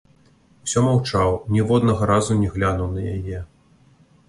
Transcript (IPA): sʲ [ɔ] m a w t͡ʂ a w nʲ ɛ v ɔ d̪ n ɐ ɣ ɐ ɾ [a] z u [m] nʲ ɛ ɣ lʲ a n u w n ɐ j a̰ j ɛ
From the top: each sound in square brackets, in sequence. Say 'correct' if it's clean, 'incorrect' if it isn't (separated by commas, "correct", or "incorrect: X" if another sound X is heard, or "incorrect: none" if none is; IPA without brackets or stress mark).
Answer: correct, correct, incorrect: none